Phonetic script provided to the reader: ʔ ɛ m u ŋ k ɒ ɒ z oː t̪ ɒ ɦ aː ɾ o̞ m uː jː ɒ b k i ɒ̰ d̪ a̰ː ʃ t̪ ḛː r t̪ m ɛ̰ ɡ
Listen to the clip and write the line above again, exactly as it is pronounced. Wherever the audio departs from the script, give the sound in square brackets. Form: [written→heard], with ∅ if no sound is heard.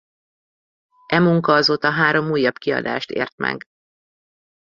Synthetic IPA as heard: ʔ ɛ m u ŋ k ɒ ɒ z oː t̪ ɒ ɦ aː ɾ o̞ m uː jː ɒ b k i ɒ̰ d̪ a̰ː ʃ t̪ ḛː r t̪ m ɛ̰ ɡ